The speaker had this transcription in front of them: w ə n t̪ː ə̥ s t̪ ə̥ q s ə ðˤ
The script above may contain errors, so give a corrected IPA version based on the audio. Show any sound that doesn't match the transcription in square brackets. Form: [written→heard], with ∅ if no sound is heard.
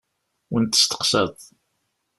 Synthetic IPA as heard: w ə n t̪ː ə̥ s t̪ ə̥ q s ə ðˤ